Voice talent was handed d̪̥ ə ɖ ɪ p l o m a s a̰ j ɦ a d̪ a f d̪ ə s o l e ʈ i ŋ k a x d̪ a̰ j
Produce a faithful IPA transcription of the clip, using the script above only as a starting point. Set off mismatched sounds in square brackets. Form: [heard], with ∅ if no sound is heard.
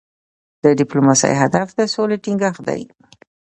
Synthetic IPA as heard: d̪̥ ə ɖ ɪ p l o m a s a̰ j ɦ a d̪ a f d̪ ə s o l e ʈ i ŋ [ɡ] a x d̪ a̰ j

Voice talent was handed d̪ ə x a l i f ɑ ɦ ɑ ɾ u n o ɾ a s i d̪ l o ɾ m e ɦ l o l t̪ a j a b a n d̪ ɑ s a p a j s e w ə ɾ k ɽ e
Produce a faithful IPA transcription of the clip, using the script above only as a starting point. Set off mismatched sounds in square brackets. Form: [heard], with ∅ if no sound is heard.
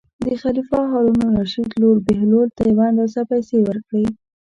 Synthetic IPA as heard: d̪ ə x a l i f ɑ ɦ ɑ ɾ u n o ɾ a [ʃ] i d̪ l o ɾ [b] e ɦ l o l t̪ a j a [w] a n d̪ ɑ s a p a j s e w ə ɾ k ɽ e

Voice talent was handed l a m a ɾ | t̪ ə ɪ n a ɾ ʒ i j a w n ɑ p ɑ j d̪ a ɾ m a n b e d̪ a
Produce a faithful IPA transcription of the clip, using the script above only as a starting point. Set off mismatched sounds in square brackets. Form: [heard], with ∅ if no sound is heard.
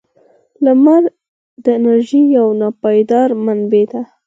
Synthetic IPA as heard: l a m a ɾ | [d̪] ə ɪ n a ɾ ʒ i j a w n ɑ p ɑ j d̪ [ɑ] ɾ m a n b e d̪ a

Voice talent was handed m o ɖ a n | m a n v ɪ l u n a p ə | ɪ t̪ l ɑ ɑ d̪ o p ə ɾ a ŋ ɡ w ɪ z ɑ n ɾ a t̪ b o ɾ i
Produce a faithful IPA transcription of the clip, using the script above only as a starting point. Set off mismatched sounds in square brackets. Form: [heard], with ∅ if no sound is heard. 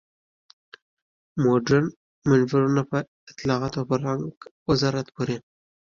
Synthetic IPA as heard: m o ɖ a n | m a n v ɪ [ɾ] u n a p ə | ɪ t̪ l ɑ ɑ [t̪] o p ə ɾ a ŋ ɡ w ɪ z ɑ [∅] ɾ a t̪ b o ɾ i

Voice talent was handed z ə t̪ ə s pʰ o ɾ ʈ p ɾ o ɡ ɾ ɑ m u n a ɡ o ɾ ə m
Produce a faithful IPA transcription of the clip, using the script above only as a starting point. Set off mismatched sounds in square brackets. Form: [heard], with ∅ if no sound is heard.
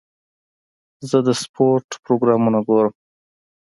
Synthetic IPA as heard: z ə [d̪] ə s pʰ o ɾ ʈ p ɾ o ɡ ɾ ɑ m u n a ɡ o ɾ ə m

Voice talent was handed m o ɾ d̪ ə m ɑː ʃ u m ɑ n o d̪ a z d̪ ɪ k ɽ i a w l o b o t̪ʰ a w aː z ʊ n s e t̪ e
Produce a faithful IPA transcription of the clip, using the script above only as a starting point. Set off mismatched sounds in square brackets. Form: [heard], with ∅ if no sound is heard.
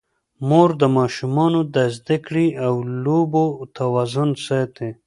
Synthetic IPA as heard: m o ɾ d̪ ə m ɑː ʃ u m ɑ n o d̪ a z d̪ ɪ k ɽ i a w l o b o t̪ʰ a w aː z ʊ n s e t̪ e

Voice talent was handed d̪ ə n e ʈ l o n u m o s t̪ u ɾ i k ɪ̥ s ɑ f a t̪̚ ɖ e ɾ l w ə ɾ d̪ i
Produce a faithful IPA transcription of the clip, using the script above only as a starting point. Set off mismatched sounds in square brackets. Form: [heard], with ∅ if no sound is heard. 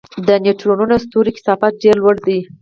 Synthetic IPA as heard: d̪ ə n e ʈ [ɾ] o n u [n] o s t̪ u ɾ i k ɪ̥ s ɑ f a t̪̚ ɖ e ɾ l w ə [ɽ] d̪ i

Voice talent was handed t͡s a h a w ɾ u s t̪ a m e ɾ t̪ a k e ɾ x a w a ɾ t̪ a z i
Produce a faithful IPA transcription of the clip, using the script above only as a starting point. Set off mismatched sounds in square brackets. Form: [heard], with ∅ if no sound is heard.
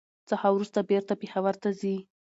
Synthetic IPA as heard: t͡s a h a w ɾ u s t̪ a [b] e ɾ t̪ a [p] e [∅] x a w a ɾ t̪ a z i

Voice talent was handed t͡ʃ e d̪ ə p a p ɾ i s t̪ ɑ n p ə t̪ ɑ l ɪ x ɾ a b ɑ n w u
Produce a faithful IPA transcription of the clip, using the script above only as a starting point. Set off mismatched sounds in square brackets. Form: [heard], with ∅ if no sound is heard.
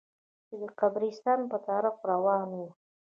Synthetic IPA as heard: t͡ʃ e d̪ ə [q] a [b] ɾ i s t̪ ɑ n p ə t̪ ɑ [ɾ] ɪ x ɾ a [w] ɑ n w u

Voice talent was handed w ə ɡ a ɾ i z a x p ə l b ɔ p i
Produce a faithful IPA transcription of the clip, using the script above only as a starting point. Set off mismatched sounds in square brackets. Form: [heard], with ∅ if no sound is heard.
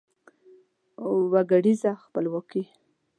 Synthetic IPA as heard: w [a] ɡ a [ɽ] i z a x p ə l [w] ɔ [k] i

